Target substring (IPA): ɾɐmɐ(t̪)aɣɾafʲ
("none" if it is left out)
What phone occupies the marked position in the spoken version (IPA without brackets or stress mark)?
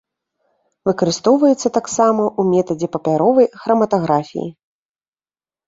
t̪